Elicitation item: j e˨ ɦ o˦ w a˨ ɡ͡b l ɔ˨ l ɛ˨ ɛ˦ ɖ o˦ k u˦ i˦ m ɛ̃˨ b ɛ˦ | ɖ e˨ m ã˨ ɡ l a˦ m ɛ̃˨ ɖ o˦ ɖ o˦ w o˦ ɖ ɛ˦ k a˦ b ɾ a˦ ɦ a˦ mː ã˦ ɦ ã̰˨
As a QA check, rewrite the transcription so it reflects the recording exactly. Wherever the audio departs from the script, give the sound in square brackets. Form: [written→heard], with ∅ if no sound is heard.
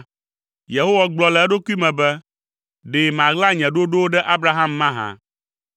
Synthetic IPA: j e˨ ɦ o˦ w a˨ ɡ͡b l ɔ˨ l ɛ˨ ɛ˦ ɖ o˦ k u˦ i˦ m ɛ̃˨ b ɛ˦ | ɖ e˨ m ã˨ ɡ l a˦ [m→ɲ] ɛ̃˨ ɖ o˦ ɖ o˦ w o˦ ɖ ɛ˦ [k→ʔ] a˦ b ɾ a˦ ɦ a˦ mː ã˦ ɦ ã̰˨